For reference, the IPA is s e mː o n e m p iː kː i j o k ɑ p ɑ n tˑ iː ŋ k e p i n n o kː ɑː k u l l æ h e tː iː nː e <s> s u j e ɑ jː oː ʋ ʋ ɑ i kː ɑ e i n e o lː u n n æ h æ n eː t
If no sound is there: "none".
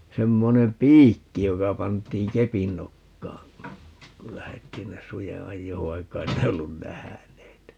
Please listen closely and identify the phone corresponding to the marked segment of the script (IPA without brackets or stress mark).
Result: s